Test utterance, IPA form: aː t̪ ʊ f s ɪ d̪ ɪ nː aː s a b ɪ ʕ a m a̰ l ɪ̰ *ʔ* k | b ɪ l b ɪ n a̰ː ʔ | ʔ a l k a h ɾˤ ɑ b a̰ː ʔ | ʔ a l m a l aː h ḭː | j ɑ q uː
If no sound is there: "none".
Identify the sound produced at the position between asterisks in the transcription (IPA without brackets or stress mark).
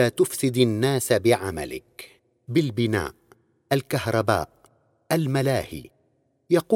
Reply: none